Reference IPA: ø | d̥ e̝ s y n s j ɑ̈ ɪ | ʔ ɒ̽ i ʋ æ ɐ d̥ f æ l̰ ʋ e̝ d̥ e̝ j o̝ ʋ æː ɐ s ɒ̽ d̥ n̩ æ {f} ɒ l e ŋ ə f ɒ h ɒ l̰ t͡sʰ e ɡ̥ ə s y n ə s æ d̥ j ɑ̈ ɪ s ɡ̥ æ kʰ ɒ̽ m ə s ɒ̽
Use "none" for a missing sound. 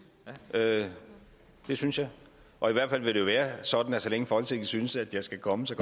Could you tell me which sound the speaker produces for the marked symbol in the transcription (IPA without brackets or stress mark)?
s